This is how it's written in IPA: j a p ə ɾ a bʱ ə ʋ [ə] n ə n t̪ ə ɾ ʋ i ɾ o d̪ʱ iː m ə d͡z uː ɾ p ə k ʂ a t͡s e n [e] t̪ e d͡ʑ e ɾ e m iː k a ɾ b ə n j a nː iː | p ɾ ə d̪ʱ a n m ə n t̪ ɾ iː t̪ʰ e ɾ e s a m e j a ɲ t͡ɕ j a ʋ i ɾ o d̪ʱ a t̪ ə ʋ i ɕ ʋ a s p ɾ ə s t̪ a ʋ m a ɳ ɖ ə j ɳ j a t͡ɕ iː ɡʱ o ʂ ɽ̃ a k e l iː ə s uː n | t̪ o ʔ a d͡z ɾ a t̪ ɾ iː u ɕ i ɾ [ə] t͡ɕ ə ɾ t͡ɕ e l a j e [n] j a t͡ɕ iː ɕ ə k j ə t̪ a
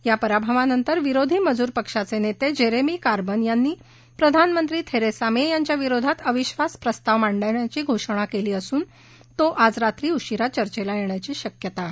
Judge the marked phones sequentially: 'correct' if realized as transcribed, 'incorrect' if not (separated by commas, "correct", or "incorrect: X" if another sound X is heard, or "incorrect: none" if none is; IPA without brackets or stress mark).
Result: incorrect: a, correct, incorrect: a, incorrect: ɳ